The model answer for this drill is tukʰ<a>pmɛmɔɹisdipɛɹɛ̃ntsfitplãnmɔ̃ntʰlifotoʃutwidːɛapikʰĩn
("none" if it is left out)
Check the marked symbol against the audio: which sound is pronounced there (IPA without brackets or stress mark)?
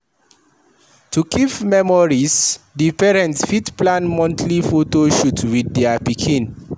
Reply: i